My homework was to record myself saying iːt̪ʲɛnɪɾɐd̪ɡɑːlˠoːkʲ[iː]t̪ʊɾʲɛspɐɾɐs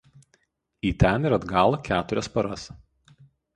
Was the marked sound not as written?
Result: yes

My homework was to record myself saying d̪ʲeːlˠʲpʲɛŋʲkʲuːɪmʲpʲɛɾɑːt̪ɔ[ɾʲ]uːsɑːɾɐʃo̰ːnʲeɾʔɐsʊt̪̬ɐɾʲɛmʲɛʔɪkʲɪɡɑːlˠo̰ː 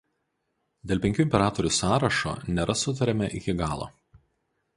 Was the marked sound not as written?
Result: no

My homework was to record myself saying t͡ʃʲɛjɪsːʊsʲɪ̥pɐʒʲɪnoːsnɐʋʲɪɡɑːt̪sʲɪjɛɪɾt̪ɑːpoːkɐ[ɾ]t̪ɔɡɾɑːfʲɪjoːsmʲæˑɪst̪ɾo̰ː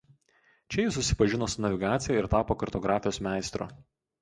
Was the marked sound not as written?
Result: no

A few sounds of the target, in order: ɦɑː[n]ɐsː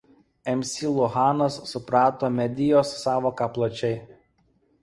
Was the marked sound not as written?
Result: no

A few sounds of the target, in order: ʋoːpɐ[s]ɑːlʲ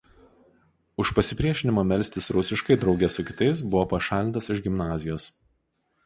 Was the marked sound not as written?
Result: yes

